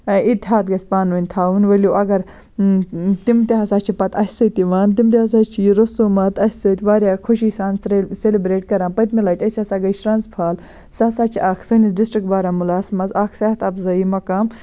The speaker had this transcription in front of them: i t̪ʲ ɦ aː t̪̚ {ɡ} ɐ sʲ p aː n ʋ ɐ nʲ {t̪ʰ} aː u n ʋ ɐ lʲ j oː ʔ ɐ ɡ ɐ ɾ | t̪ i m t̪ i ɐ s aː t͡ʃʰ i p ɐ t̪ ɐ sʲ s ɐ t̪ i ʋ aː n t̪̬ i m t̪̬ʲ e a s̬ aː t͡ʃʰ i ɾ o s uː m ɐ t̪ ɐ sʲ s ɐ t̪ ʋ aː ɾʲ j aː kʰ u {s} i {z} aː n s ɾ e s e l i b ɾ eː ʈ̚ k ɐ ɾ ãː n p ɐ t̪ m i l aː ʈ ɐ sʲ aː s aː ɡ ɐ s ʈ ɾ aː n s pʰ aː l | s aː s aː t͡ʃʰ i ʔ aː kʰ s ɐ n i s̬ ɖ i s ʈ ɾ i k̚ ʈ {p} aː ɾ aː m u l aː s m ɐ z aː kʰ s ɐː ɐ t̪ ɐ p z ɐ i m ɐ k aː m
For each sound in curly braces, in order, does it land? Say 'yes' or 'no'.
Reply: yes, yes, no, no, no

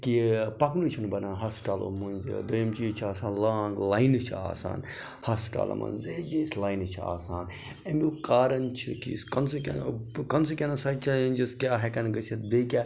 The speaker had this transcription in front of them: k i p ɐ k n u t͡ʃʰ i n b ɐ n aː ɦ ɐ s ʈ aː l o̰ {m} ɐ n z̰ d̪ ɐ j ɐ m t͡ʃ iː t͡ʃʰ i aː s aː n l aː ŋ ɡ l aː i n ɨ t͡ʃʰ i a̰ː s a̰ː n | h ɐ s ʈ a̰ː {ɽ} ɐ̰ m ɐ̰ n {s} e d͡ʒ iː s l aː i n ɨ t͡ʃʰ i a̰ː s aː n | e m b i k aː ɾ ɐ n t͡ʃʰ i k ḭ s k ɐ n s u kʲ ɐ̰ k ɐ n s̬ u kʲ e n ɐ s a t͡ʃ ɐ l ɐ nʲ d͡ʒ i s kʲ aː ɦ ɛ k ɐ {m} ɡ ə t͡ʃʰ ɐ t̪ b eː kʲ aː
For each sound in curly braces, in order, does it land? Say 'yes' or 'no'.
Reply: yes, no, no, no

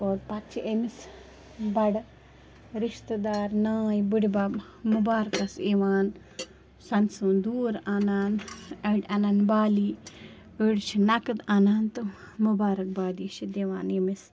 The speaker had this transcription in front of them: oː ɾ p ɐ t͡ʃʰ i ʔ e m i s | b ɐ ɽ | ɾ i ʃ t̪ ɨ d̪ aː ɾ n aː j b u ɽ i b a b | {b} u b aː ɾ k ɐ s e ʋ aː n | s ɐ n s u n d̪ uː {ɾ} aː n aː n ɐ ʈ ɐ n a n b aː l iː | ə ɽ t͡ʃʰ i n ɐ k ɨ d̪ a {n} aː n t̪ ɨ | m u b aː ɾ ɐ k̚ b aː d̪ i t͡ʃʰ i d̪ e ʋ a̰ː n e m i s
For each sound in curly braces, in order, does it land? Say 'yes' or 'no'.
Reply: no, yes, yes

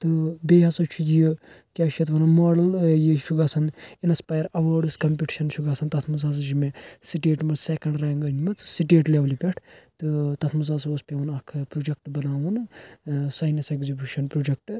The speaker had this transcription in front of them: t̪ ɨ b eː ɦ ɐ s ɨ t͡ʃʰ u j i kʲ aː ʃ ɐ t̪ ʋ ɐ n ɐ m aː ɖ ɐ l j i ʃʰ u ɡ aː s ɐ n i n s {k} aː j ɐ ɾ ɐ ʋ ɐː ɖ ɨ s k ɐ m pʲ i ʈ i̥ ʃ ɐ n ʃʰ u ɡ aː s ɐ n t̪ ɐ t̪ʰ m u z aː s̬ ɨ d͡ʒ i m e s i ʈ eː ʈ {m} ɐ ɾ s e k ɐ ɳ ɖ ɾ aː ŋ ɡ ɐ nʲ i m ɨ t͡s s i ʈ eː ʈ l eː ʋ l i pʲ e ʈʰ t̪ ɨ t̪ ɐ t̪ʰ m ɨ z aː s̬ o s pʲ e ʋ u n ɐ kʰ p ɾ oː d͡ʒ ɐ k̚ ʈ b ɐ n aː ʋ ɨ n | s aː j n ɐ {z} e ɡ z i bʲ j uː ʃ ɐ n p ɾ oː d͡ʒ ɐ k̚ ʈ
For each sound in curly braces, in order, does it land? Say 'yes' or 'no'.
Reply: no, yes, no

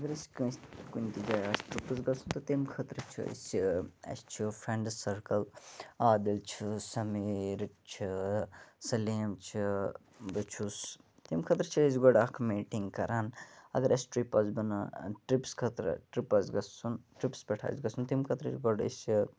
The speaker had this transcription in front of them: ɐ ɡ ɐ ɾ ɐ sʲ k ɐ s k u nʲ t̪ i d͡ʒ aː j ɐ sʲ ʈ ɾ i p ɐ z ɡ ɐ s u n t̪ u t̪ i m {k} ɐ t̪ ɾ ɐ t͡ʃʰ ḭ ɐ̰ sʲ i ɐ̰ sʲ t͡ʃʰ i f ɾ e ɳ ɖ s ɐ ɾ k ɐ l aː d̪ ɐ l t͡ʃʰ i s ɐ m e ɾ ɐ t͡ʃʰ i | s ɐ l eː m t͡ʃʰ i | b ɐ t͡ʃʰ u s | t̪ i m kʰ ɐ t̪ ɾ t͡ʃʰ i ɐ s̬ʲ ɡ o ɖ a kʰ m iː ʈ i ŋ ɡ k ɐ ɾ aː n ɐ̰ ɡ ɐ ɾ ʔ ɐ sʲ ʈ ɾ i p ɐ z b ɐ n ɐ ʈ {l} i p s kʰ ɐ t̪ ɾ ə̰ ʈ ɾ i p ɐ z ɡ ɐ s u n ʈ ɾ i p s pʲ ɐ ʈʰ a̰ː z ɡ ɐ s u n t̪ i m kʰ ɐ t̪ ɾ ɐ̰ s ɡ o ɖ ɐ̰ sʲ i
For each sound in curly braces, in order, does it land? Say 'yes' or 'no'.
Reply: no, no

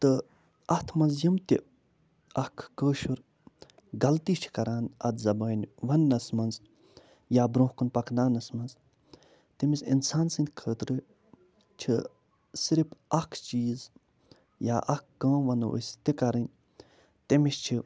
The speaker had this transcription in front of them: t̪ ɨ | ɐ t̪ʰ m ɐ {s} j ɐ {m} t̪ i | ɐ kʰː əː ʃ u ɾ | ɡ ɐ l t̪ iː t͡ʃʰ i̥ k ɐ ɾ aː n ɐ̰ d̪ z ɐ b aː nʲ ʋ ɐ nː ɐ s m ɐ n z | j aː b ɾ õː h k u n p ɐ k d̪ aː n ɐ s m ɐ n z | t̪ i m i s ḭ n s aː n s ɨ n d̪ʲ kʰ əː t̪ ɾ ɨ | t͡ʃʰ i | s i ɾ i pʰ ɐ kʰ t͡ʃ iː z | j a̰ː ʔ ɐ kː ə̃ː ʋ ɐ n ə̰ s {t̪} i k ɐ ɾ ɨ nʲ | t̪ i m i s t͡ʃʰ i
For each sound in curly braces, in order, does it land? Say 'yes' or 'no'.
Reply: no, yes, yes

